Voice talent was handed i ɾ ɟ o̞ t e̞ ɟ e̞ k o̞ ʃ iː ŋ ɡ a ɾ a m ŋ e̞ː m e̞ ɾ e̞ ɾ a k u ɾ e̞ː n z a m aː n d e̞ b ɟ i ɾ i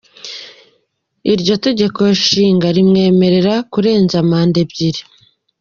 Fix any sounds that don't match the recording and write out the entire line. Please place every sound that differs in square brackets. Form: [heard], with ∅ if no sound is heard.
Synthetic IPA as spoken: i ɾ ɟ o̞ t e̞ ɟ e̞ k o̞ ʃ iː ŋ ɡ a ɾ [i] m ŋ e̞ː m e̞ ɾ e̞ ɾ a k u ɾ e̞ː n z a m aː n d e̞ b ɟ i ɾ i

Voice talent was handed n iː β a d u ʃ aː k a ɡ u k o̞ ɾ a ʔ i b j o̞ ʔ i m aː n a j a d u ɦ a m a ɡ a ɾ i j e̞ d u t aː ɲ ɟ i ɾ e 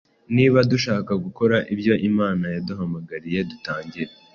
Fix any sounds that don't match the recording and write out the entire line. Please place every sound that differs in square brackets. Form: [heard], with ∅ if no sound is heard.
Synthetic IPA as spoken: n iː β a d u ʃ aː k a ɡ u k o̞ ɾ a ʔ i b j o̞ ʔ i m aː n a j a d u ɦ a m a ɡ a ɾ i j e̞ d u t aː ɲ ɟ i ɾ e

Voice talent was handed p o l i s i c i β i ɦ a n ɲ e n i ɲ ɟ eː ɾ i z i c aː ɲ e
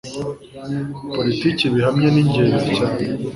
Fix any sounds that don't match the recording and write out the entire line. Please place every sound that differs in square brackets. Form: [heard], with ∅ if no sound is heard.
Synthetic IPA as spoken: p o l i [t] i c i β i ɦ a [m] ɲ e n i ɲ ɟ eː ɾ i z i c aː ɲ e

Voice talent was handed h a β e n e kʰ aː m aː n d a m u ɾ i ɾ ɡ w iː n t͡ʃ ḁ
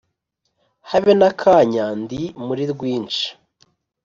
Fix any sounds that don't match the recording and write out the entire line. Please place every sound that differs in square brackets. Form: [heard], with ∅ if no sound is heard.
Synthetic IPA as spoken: h a β e n [a] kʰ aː [ɲ] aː n d [i] m u ɾ i ɾ ɡ w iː n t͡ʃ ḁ

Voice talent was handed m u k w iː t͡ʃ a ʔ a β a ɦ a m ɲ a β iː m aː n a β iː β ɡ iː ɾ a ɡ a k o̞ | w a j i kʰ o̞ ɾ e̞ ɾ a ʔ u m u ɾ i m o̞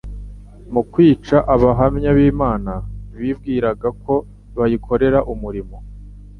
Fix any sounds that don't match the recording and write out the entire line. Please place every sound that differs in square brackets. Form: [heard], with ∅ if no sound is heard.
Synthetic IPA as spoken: m u k w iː t͡ʃ a ʔ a β a ɦ a m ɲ a β iː m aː n a β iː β ɡ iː ɾ a ɡ a k o̞ | [β] a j i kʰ o̞ ɾ e̞ ɾ a ʔ u m u ɾ i m o̞

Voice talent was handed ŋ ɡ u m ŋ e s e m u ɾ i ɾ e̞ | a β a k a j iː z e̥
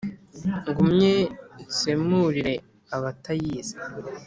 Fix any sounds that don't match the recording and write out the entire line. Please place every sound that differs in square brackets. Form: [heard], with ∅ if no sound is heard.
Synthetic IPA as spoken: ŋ ɡ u m [ɲ] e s e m u ɾ i ɾ e̞ | a β a [t] a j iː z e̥

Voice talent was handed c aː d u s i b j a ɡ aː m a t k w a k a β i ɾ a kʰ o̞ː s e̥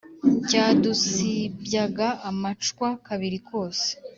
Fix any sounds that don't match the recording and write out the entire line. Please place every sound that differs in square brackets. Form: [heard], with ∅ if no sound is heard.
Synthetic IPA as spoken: c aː d u s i b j a ɡ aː m a [t͡ʃ] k w a k a β i ɾ [i] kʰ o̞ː s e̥

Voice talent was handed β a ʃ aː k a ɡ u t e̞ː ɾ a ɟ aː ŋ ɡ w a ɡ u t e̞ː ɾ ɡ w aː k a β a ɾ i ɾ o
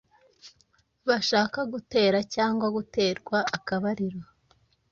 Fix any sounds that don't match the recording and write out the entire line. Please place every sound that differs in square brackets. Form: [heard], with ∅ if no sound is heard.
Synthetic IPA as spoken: β a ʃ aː k a ɡ u t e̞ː ɾ a [c] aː ŋ ɡ w a ɡ u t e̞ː ɾ ɡ w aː k a β a ɾ i ɾ o

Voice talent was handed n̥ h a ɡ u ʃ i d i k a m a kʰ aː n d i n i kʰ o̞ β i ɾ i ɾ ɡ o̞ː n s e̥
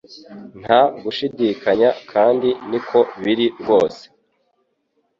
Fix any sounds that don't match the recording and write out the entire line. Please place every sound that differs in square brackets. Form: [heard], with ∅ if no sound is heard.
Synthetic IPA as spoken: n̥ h a ɡ u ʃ i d i k a [ɲ] a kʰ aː n d i n i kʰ o̞ β i ɾ i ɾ ɡ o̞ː [∅] s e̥

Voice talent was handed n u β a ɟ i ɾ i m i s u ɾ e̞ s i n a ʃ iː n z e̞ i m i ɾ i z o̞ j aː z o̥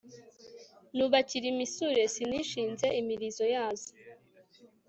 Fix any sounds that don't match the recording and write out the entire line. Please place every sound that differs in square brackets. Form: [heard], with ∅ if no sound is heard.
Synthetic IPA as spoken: n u β a [c] i ɾ i m i s u ɾ e̞ s i n [i] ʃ iː n z e̞ i m i ɾ i z o̞ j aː z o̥

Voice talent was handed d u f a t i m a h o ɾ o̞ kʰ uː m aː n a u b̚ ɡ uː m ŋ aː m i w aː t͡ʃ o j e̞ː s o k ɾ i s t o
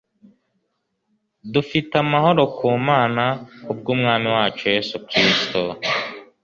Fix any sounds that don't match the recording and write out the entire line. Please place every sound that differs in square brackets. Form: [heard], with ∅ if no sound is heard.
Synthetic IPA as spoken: d u f [i] t [a] m a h o ɾ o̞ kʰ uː m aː n a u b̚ ɡ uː m ŋ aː m i w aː t͡ʃ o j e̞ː s [u] k ɾ i s t o

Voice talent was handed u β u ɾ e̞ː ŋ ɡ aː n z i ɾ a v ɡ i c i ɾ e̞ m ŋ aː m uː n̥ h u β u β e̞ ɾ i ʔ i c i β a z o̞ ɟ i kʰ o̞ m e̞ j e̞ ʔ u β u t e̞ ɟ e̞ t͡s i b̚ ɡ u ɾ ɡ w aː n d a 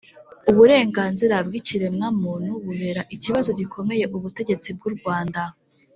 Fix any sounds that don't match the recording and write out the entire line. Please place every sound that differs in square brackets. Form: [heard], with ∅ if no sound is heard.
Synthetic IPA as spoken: u β u ɾ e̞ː ŋ ɡ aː n z i ɾ a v ɡ i c i ɾ e̞ m ŋ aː m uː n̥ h u β u β e̞ ɾ [a] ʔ i c i β a z o̞ ɟ i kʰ o̞ m e̞ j e̞ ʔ u β u t e̞ ɟ e̞ t͡s i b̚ ɡ u ɾ ɡ w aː n d a

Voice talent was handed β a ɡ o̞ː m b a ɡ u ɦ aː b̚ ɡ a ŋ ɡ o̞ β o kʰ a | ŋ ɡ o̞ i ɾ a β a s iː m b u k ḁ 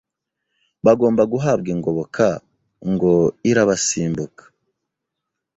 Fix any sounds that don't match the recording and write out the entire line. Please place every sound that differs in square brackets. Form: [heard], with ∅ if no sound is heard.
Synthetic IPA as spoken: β a ɡ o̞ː m b a ɡ u ɦ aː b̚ ɡ [i] ŋ ɡ o̞ β o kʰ a | ŋ ɡ o̞ i ɾ a β a s iː m b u k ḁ

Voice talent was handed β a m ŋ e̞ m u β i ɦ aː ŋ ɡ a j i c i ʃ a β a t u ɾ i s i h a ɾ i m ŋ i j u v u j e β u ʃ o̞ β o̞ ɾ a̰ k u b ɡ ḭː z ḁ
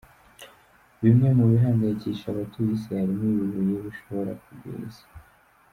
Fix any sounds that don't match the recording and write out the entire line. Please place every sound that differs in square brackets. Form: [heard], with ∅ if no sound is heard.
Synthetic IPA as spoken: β [i] m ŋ e̞ m u β i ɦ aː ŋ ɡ a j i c i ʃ a β a t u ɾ i s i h a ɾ i m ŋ i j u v u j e β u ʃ o̞ β o̞ ɾ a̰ k u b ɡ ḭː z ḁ

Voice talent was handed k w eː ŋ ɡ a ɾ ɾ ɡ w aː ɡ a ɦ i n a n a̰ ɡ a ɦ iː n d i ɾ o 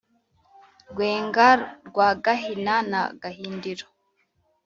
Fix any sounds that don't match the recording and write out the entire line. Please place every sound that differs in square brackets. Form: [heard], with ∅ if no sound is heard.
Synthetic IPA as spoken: [ɡ] w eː ŋ ɡ a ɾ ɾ ɡ w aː ɡ a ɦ i n a n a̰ ɡ a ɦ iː n d i ɾ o

